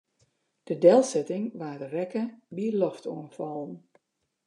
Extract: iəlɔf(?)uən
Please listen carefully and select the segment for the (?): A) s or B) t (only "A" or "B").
B